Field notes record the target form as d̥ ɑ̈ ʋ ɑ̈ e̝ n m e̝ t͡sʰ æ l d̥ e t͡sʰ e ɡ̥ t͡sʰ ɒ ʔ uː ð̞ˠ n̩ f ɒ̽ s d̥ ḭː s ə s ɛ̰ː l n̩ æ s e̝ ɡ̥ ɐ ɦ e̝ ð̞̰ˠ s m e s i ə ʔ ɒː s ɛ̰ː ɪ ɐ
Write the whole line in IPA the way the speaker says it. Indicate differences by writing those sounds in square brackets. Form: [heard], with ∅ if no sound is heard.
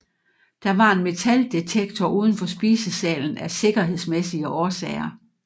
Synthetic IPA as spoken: d̥ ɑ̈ ʋ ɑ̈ e̝ n m e̝ t͡sʰ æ l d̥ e t͡sʰ e ɡ̥ t͡sʰ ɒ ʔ uː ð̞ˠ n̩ f ɒ̽ s [b̥] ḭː s ə s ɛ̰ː l n̩ æ s e̝ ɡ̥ ɐ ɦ e̝ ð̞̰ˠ s m e s i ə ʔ ɒː s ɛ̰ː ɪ ɐ